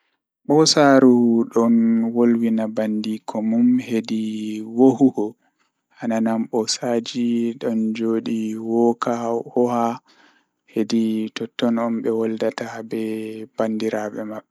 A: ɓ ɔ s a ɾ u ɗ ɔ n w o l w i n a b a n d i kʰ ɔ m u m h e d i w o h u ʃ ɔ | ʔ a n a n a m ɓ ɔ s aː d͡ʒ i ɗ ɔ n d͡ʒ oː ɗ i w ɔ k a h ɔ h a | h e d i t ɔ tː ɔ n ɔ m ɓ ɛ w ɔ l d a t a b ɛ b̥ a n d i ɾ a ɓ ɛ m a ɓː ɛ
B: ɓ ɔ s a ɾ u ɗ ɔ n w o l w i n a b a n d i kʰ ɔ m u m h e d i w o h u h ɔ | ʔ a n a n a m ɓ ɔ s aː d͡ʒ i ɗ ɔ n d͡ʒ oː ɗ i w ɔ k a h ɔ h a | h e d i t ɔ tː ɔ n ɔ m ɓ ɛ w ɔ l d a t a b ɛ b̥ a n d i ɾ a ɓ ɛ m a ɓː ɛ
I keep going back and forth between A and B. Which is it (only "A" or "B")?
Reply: B